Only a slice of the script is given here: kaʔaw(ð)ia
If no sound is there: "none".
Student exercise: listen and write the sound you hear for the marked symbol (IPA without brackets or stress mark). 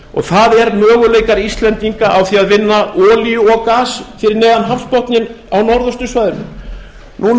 θ